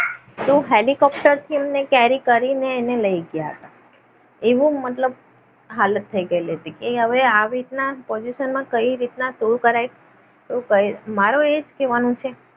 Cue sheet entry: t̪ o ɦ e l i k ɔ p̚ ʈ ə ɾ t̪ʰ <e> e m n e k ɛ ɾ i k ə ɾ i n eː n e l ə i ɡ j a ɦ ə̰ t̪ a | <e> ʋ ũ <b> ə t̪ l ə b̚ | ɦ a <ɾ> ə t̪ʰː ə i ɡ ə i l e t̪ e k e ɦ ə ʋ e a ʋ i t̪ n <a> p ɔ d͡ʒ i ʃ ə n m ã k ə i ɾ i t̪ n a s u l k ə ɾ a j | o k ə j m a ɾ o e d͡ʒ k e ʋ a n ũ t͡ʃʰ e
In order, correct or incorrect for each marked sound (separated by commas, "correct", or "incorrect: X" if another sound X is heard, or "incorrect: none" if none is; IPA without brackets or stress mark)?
incorrect: i, correct, incorrect: m, incorrect: l, correct